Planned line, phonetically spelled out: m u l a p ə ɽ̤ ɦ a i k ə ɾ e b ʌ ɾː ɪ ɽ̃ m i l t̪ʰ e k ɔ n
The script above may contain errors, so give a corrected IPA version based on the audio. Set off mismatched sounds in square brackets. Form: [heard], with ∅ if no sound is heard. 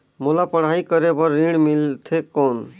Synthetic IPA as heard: m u l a p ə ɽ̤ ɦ a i k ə ɾ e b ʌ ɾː [i] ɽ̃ m i l t̪ʰ e k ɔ n